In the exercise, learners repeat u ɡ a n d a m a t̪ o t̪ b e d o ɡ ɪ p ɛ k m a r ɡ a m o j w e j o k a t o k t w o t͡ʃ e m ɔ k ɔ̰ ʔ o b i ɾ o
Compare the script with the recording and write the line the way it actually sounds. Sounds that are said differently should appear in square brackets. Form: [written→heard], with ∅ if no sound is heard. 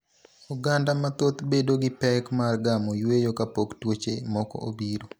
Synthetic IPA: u ɡ a n d a m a t̪ o t̪ b e d o ɡ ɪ p ɛ k m a r ɡ a m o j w e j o k a [t→p] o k t w o t͡ʃ e m ɔ k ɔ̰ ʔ o b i ɾ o